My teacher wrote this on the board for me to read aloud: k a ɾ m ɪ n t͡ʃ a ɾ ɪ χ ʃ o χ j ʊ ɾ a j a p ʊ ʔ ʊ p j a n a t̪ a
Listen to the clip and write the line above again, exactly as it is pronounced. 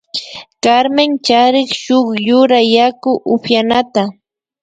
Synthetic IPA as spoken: k a ɾ m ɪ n t͡ʃ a ɾ ɪ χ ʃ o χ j ʊ ɾ a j a k ʊ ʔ ʊ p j a n a t̪ a